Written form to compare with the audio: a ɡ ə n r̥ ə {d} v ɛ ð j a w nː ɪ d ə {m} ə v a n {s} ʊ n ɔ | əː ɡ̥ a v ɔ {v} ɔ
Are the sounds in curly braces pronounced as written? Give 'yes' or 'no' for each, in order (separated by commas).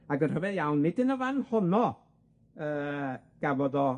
no, no, no, no